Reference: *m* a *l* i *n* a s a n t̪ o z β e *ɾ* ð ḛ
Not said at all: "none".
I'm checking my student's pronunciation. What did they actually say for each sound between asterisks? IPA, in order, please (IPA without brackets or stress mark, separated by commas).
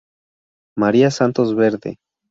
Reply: m, ɾ, none, ɾ